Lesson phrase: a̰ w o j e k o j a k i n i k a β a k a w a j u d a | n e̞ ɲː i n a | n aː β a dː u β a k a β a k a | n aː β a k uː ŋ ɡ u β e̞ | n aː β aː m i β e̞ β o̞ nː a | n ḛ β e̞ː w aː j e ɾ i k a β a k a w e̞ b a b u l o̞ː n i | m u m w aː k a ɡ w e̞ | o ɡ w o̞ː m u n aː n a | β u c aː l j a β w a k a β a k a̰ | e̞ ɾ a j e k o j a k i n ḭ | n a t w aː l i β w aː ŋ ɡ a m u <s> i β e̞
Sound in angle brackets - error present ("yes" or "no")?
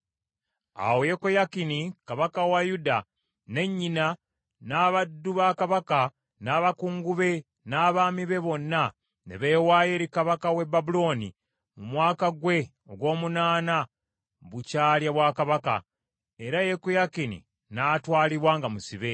no